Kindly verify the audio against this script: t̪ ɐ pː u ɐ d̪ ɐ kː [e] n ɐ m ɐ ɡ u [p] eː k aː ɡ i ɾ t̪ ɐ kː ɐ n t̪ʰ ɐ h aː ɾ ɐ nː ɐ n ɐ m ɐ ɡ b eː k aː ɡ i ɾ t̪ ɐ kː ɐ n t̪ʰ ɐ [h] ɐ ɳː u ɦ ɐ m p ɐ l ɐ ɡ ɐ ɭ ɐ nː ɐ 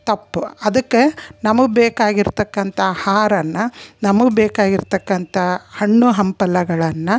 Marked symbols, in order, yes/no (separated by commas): yes, no, yes